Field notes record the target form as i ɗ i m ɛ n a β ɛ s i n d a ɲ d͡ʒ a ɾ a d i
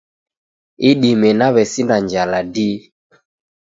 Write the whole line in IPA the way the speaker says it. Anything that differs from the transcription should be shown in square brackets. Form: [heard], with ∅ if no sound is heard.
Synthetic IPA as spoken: i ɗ i m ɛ n a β ɛ s i n d a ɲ d͡ʒ a [l] a d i

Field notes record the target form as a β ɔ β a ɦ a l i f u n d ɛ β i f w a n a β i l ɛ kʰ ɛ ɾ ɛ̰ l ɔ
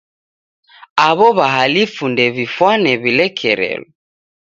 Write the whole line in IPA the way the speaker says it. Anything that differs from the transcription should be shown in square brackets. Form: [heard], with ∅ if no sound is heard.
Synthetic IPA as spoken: a β ɔ β a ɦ a l i f u n d ɛ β i f w a n [ɛ] β i l ɛ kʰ ɛ ɾ ɛ̰ l ɔ

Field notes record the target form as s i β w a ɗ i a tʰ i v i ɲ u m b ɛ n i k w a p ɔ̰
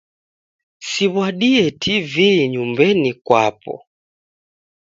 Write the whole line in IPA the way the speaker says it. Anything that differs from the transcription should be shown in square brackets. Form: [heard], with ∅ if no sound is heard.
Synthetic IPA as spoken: s i β w a ɗ i [ɛ] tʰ i v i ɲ u m b ɛ n i k w a p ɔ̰

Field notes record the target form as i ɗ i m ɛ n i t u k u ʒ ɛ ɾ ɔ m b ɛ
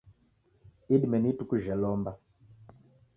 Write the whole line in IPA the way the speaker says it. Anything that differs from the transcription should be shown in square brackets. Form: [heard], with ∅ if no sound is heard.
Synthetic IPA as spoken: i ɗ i m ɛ n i t u k u ʒ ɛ [l] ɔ m b [a]

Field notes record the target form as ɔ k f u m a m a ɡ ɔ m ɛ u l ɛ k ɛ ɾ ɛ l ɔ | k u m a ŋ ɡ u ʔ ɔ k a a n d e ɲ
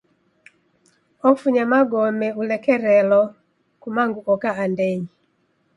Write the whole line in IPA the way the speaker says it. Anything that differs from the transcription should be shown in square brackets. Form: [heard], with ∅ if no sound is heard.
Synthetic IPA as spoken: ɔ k f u [ɲ] a m a ɡ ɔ m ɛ u l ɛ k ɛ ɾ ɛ l ɔ | k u m a ŋ ɡ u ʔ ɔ k a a n d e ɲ

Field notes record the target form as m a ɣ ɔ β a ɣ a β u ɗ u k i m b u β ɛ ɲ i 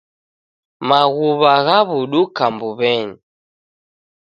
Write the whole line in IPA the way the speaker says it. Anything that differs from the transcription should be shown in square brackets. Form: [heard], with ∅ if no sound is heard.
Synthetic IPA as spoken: m a ɣ [u] β a ɣ a β u ɗ u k [a] m b u β ɛ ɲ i

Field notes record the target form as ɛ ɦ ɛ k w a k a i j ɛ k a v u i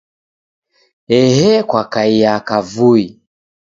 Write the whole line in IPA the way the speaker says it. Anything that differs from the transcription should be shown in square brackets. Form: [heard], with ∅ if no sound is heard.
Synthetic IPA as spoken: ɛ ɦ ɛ k w a k a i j [a] k a v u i

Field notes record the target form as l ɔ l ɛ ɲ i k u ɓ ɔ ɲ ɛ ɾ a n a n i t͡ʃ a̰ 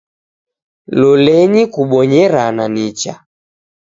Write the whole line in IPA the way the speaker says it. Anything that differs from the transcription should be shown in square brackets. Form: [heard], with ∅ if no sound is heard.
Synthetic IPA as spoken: l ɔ l ɛ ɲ i k u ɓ ɔ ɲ ɛ ɾ a n a n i t͡ʃ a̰

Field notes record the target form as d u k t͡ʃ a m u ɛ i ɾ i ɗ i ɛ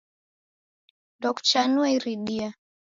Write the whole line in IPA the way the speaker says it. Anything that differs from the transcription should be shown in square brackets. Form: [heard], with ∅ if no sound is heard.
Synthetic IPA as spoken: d [ɔ] k t͡ʃ a [n] u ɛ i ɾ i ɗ i [a]

